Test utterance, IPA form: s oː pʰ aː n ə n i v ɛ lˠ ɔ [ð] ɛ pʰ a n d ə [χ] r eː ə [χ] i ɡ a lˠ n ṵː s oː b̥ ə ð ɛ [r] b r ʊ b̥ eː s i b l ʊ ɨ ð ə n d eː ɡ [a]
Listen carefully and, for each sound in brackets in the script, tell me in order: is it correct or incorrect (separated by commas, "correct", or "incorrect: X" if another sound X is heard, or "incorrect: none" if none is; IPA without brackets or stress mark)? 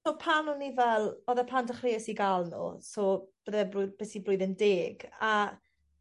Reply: correct, correct, incorrect: s, incorrect: none, correct